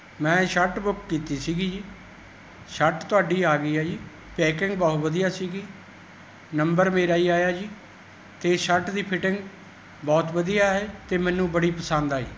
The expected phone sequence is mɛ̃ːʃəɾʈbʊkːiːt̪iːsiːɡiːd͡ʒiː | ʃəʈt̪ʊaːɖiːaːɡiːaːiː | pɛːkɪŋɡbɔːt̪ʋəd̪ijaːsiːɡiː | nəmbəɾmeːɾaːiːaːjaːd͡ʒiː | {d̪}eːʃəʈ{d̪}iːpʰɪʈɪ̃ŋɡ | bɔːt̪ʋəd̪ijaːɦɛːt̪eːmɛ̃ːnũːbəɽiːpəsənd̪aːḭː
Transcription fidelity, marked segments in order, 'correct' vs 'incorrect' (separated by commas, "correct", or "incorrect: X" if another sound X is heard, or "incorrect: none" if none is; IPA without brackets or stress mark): incorrect: t̪, correct